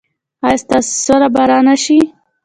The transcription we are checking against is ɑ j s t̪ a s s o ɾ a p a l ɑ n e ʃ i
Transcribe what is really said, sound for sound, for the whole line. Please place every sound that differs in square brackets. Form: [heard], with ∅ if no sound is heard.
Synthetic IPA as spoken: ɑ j s t̪ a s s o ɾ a [b] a [ɾ] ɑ n [a] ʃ i

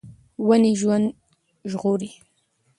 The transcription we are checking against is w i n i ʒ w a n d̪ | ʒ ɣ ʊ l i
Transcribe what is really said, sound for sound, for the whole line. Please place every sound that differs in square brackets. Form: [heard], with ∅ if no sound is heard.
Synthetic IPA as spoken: w [a] n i ʒ w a n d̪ | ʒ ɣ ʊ [ɾ] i

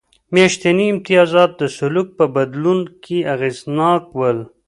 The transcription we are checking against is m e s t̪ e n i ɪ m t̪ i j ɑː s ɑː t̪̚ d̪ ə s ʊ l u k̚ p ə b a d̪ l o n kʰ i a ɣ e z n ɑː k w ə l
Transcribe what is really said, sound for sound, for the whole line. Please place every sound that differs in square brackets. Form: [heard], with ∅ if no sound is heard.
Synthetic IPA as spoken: m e [ʃ] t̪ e n i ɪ m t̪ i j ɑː [z] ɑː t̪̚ d̪ ə s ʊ l u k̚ p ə b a d̪ l [u] n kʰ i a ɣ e z n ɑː k w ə l

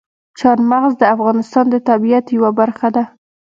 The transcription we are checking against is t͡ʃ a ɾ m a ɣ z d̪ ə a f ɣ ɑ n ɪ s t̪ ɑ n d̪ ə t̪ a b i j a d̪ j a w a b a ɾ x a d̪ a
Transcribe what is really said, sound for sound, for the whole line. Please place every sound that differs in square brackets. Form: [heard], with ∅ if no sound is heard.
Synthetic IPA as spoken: t͡ʃ [ɑ] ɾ m a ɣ z d̪ ə a f ɣ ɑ n ɪ s t̪ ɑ n d̪ ə t̪ a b i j a [t̪] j a w a b a ɾ x a d̪ a

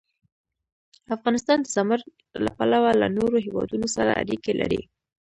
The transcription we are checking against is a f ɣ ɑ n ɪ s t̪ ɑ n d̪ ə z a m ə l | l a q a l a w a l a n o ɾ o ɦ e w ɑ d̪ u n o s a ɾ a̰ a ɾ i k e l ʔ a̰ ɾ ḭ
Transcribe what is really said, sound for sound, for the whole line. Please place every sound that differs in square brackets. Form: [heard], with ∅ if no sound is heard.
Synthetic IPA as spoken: a f ɣ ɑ n ɪ s t̪ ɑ n d̪ ə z a m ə [ɾ] | l a [p] a l a w a l a n o ɾ o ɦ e w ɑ d̪ u n o s a ɾ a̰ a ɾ i k e l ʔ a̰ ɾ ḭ

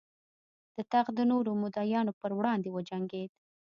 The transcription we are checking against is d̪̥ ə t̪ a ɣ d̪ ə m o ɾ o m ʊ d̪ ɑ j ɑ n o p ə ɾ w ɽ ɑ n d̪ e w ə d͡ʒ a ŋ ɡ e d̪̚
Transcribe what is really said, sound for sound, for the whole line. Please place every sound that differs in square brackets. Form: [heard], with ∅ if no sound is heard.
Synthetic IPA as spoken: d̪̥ ə t̪ a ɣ d̪ ə [n] o ɾ o m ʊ d̪ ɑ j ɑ n o p ə ɾ w ɽ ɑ n d̪ e w ə d͡ʒ a ŋ ɡ e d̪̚

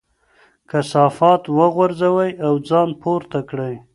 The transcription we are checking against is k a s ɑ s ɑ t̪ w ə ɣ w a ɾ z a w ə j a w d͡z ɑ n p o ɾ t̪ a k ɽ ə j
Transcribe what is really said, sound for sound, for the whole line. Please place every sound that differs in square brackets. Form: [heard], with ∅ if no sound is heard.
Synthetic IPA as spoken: k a s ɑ [f] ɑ t̪ w ə ɣ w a ɾ z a w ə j a w d͡z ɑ n p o ɾ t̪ a k ɽ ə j

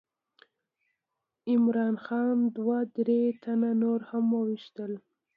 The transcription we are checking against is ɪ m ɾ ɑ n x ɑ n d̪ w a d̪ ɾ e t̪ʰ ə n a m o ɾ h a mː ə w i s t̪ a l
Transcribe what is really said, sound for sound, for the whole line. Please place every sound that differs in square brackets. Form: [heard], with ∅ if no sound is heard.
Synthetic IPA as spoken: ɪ m ɾ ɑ n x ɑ n d̪ w a d̪ ɾ e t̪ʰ [a] n a [n] o ɾ h a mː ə w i [ʃ] t̪ [ə] l

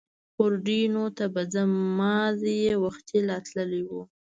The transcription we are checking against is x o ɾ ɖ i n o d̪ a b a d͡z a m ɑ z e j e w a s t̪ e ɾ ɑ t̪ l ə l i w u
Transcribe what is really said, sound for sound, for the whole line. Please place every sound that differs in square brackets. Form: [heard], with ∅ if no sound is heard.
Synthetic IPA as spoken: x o ɾ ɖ i n o [t̪] a b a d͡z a m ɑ z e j e w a [x] t̪ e [l] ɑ t̪ l ə l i w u

